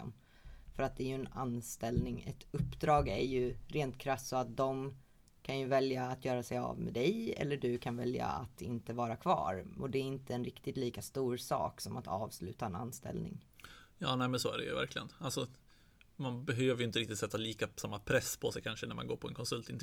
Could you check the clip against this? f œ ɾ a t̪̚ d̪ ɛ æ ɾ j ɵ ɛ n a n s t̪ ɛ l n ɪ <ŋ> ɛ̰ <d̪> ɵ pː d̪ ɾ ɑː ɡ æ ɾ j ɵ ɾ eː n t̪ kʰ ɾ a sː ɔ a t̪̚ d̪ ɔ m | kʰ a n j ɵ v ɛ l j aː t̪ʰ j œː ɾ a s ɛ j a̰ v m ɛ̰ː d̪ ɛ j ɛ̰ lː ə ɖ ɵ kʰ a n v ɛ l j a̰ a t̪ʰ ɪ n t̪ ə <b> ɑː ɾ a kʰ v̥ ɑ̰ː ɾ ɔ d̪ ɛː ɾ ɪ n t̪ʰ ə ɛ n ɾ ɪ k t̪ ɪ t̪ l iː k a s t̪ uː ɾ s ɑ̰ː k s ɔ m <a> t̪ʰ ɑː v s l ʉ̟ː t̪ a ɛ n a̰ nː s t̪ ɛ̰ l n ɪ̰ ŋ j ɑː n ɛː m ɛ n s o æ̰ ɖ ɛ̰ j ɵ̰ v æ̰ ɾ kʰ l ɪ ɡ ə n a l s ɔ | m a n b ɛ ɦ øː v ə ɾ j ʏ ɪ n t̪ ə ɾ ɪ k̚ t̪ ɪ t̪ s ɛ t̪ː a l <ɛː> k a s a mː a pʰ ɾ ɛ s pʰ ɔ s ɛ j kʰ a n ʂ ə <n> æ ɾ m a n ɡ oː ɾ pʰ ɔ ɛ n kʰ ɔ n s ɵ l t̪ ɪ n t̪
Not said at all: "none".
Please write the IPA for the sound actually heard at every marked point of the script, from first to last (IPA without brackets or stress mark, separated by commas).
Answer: ŋ, t̪, v, a, iː, n